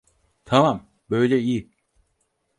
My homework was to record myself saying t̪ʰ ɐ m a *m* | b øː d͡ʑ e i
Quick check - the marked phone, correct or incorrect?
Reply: correct